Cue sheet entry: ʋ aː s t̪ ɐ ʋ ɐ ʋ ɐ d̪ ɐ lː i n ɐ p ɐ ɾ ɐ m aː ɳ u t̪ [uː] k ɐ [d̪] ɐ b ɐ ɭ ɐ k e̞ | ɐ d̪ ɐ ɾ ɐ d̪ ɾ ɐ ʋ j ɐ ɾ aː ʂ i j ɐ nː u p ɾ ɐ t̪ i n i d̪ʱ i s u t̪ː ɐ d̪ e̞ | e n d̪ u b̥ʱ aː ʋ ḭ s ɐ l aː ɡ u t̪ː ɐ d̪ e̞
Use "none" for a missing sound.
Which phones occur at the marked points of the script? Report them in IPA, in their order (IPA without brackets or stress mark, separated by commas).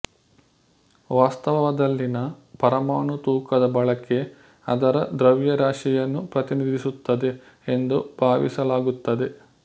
uː, d̪